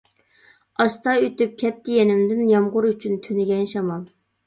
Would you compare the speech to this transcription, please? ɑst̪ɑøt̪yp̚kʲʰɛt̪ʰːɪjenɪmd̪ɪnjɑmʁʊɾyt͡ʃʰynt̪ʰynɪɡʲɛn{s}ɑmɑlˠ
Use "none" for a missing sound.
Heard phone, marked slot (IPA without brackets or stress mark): ʃ